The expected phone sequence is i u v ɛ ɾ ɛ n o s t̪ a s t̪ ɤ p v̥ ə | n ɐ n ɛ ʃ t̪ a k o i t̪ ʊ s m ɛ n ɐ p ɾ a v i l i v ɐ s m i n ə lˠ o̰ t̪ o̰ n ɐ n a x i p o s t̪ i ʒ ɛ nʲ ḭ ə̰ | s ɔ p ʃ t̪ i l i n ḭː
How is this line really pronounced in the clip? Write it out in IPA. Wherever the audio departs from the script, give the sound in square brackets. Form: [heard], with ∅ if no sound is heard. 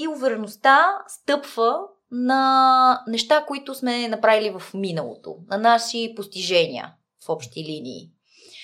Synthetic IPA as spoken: i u v ɛ ɾ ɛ n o s t̪ a s t̪ ɤ p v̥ ə | n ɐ n ɛ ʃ t̪ a k o i t̪ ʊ s m ɛ n ɐ p ɾ a v i l i v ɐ [f] m i n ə lˠ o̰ t̪ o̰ n ɐ n a [ʃ] i p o s t̪ i ʒ ɛ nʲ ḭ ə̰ | [f] ɔ p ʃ t̪ i l i n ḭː